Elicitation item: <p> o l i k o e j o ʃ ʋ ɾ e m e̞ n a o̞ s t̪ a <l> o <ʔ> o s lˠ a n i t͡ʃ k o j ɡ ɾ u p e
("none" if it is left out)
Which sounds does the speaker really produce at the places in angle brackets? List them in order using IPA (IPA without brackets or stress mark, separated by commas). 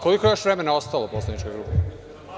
k, l, p